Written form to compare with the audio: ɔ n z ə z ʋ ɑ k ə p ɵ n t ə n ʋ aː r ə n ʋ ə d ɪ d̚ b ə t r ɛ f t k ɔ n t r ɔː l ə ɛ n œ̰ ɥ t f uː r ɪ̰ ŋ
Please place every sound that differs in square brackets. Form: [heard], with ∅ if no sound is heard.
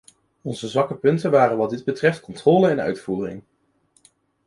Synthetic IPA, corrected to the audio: ɔ n z ə z ʋ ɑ k ə p ɵ n t ə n ʋ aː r ə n ʋ [ɑ] d ɪ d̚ b ə t r ɛ f t k ɔ n t r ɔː l ə ɛ n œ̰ ɥ t f uː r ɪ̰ ŋ